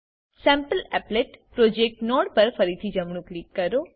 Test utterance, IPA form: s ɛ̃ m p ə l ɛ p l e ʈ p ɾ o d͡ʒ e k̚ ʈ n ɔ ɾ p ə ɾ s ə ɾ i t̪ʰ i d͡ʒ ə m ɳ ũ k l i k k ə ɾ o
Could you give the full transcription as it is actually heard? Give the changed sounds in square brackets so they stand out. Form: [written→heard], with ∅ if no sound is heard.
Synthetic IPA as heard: s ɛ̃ m p ə l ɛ p l e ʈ p ɾ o d͡ʒ e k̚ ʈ n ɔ [ɾ→ɽ] p ə ɾ [s→f] ə ɾ i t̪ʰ i d͡ʒ ə m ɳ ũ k l i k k ə ɾ o